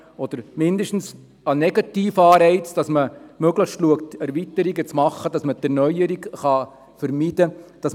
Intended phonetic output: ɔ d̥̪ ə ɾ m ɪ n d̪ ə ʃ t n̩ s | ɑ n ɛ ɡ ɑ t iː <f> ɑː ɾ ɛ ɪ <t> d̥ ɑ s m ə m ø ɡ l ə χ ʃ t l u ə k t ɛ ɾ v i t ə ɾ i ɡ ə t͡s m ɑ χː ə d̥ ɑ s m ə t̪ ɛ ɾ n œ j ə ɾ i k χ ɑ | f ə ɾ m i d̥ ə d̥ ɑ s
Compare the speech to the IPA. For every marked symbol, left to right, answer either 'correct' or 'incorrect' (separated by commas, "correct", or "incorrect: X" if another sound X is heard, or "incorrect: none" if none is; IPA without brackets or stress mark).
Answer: correct, incorrect: t͡s